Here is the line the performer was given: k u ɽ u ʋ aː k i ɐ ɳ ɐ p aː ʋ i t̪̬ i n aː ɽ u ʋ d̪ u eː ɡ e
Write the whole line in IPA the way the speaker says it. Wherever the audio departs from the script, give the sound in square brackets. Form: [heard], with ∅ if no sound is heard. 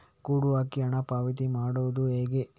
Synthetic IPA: k [uː] ɽ u ʋ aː k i ɐ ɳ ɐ p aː ʋ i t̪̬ i [m] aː ɽ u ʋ d̪ u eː ɡ e